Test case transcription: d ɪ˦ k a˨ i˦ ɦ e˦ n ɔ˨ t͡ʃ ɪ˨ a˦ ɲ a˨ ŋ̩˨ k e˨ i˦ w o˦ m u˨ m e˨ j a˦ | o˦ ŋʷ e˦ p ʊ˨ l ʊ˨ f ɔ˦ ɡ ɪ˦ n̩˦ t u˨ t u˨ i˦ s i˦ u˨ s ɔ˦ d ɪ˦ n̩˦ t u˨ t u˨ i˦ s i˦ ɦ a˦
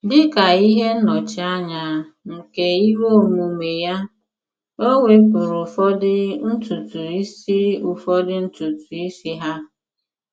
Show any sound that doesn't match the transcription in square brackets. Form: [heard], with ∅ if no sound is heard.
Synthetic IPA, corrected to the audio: d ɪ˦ k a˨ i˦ ɦ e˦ n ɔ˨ t͡ʃ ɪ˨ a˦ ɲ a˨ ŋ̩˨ k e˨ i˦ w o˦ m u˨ m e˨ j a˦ | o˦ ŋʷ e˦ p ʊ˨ [ɾ] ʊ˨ f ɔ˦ [d] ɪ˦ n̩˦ t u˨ t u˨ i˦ s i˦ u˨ [f] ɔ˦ d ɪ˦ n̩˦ t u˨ t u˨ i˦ s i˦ ɦ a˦

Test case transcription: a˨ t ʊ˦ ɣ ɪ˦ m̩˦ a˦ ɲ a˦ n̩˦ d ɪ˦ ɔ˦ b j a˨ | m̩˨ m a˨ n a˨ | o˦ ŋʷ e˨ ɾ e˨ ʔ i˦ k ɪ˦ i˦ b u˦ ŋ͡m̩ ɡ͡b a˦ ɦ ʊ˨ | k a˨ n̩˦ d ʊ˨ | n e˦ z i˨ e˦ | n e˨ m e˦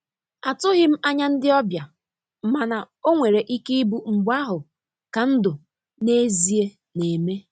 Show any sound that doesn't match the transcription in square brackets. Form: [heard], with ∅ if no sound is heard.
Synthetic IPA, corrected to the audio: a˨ t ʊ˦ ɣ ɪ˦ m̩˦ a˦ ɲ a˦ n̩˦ d ɪ˦ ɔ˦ b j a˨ | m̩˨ m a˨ n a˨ | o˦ ŋʷ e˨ ɾ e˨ ʔ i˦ k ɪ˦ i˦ b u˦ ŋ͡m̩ ɡ͡b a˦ ɦ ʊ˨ | k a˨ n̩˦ d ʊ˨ | n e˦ z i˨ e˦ | n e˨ m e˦

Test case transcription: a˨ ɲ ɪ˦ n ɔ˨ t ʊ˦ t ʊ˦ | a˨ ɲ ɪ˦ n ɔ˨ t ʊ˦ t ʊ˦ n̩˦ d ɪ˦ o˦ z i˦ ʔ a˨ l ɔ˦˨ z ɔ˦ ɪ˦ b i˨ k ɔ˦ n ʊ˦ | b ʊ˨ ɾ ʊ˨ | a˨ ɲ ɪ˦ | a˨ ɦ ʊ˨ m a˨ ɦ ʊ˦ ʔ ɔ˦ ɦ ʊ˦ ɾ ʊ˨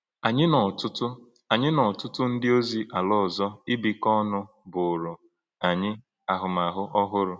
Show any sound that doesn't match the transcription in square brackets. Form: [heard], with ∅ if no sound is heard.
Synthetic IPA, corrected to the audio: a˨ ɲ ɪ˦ n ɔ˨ t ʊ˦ t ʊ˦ | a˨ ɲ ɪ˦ n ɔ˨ t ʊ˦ t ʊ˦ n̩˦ d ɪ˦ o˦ z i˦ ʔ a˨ l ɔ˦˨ z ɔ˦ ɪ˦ b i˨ k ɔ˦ n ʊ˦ | b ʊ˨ ɾ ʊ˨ | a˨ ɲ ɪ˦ | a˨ ɦ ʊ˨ m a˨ ɦ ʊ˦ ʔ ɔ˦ ɦ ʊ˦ ɾ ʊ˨

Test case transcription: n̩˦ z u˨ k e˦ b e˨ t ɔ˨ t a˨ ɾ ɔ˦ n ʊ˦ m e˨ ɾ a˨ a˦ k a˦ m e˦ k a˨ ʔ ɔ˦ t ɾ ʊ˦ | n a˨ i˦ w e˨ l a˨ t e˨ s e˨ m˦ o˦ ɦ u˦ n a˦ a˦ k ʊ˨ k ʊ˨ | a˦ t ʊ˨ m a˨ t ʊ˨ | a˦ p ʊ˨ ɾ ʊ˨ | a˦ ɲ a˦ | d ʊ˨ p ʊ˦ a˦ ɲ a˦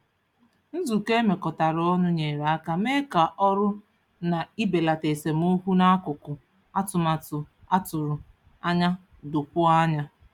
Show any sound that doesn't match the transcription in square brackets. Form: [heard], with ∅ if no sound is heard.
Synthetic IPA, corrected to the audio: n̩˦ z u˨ k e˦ [m] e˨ [k] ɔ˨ t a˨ ɾ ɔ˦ n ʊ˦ [ɲ] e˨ ɾ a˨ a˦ k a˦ m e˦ k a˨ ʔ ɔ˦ [∅] ɾ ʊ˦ | n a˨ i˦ [b] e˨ l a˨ t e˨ s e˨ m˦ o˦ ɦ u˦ n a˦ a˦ k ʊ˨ k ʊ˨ | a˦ t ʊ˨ m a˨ t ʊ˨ | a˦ [t] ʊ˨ ɾ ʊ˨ | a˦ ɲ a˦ | d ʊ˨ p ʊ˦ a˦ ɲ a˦

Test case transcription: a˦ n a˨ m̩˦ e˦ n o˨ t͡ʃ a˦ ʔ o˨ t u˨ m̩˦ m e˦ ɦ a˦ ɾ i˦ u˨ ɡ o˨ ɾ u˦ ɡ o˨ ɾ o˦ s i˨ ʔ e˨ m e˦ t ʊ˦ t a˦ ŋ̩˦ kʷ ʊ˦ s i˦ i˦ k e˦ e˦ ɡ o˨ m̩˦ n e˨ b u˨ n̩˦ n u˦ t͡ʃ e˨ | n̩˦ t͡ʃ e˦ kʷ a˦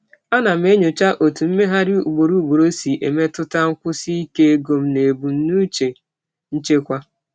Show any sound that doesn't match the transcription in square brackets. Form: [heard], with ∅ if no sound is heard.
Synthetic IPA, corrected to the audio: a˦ n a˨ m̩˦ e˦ [ɲ] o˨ t͡ʃ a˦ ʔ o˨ t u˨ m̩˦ m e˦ ɦ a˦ ɾ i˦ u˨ [ɡ͡b] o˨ ɾ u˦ [ɡ͡b] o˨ ɾ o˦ s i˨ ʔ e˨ m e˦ t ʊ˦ t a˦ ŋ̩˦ kʷ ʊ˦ s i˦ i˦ k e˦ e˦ ɡ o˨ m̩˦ n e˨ b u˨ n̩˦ n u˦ t͡ʃ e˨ | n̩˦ t͡ʃ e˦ kʷ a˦

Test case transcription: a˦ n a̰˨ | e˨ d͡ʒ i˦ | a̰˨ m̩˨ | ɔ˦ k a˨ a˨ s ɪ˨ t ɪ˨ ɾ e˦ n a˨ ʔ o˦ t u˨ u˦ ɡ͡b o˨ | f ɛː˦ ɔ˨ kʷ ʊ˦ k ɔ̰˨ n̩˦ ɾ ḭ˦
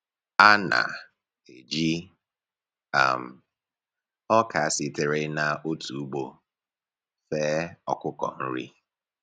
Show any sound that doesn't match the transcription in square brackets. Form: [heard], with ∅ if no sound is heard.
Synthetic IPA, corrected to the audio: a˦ n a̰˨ | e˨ d͡ʒ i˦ | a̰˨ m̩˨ | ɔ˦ k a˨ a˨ s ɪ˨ t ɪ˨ ɾ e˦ n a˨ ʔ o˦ t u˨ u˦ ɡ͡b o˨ | f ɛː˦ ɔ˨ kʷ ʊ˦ k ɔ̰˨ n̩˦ ɾ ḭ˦

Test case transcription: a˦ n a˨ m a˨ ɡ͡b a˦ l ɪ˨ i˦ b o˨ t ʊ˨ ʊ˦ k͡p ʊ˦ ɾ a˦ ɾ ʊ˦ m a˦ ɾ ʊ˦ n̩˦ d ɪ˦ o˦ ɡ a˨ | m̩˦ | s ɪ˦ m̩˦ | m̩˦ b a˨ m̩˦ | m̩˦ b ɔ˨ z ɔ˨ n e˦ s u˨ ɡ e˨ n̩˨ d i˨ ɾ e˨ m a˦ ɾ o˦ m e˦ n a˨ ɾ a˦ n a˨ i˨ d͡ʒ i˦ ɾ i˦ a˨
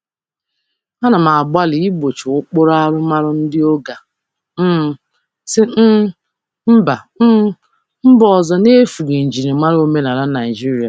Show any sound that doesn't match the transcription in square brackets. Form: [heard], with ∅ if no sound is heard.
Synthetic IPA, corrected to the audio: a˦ n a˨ m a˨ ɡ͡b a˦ l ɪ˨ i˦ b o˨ [t͡ʃ] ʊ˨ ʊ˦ k͡p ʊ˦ ɾ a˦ ɾ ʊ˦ m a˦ ɾ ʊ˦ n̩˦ d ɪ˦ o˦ ɡ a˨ | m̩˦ | s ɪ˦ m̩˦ | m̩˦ b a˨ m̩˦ | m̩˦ b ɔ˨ z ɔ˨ n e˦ [f] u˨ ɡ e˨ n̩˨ [d͡ʒ] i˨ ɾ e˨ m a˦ ɾ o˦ m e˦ n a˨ ɾ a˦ n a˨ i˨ d͡ʒ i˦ ɾ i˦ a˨

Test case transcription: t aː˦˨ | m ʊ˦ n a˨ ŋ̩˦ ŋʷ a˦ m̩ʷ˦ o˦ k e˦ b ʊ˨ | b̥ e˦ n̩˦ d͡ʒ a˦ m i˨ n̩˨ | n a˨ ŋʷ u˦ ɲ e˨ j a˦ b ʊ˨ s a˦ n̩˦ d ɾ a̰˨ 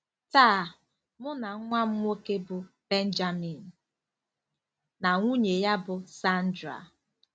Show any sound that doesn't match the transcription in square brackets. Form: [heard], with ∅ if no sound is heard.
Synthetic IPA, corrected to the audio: t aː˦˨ | m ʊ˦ n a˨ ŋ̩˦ ŋʷ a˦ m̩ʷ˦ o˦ k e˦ b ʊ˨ | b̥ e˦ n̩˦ d͡ʒ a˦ m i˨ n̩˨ | n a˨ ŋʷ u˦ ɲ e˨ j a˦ b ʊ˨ s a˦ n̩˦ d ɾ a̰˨

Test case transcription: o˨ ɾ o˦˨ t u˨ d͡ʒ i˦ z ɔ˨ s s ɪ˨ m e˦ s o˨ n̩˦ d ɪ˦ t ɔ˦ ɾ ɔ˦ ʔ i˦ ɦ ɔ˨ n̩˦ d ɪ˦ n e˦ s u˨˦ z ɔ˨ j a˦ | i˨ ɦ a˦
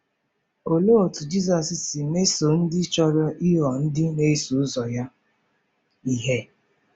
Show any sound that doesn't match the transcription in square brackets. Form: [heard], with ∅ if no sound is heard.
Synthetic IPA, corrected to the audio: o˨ [l] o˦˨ t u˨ d͡ʒ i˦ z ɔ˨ s s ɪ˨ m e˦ s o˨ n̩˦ d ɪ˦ [t͡ʃ] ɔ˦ ɾ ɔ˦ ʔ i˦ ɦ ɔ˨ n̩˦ d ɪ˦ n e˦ s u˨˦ z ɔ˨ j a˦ | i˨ ɦ [e˦]

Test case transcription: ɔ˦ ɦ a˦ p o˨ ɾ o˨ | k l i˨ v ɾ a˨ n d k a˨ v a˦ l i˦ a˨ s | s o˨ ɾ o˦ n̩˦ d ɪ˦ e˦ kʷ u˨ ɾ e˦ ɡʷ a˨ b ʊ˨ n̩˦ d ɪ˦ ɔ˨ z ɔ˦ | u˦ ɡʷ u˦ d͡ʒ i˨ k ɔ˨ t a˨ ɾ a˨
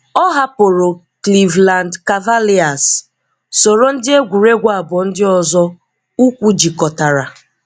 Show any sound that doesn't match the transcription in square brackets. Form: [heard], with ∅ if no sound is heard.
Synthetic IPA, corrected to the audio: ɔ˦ ɦ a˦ p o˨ ɾ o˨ | k l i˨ v [l] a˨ n d k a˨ v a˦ l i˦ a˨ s | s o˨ ɾ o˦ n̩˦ d ɪ˦ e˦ [ɡʷ] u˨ ɾ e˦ ɡʷ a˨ b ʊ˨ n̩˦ d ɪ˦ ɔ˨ z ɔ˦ | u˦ [kʷ] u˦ d͡ʒ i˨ k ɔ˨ t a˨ ɾ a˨

